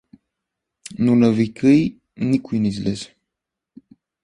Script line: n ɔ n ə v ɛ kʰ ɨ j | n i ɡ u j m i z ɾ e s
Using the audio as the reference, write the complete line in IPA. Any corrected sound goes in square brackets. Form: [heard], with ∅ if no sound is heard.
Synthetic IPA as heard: n [u] n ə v [i] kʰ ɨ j | n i [k] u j [n] i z [l] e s